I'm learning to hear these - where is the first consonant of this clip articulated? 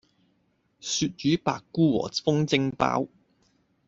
tongue tip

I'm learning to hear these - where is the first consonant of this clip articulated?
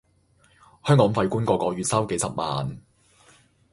throat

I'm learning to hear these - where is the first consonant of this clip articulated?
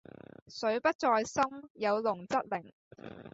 tongue tip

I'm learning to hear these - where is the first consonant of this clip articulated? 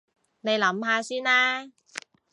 tongue tip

